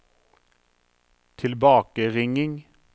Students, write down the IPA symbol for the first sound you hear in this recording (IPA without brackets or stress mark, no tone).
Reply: t̪ʰ